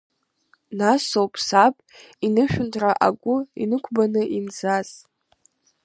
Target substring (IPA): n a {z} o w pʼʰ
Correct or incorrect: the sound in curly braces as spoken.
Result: incorrect: s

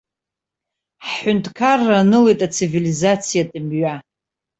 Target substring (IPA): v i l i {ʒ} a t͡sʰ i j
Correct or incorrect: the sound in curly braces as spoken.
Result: incorrect: z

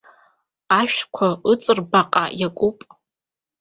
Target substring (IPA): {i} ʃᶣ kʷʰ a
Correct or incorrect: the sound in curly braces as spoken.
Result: incorrect: a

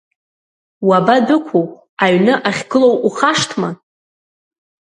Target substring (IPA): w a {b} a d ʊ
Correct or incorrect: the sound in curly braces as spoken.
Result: correct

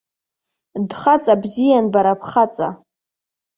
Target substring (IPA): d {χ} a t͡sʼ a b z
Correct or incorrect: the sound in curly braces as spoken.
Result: correct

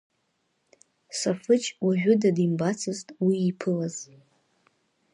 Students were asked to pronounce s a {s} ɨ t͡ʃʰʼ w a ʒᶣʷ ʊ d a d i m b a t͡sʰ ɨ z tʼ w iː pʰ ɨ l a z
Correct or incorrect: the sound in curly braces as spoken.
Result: incorrect: f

